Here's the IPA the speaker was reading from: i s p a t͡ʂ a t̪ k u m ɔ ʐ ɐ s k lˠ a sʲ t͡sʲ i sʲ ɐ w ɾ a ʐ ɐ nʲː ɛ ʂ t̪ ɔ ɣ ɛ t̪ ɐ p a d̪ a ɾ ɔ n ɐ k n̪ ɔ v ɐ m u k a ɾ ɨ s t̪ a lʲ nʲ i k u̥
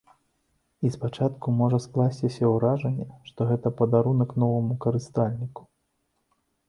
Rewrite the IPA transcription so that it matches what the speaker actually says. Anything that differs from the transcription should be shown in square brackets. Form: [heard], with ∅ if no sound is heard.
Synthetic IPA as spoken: i s p a t͡ʂ a t̪ k u m ɔ ʐ ɐ s k lˠ a sʲ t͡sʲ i sʲ ɐ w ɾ a ʐ ɐ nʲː ɛ ʂ t̪ ɔ ɣ ɛ t̪ ɐ p [ɐ] d̪ a ɾ [u] n ɐ k n̪ ɔ v ɐ m u k [ɐ] ɾ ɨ s t̪ a lʲ nʲ i k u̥